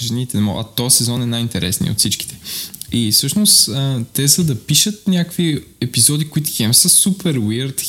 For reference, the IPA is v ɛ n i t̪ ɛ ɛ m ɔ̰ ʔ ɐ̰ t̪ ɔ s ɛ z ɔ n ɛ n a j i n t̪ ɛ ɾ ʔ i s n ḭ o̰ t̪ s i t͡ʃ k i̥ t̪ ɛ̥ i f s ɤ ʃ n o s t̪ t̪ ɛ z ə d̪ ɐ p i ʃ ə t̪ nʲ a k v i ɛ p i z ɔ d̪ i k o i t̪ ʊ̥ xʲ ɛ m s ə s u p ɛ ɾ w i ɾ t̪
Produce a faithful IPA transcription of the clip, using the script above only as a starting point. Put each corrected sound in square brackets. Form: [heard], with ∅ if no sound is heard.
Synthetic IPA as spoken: [ʒ] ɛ n i t̪ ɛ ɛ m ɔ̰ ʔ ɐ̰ t̪ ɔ s ɛ z ɔ n ɛ n a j i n t̪ ɛ ɾ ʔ [ɛ] s n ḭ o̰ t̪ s i t͡ʃ k i̥ t̪ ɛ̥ i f s ɤ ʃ n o s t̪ t̪ ɛ z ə d̪ ɐ p i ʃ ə t̪ nʲ a k v i ɛ p i z ɔ d̪ i k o i t̪ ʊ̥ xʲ ɛ m s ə s u p ɛ ɾ w i ɾ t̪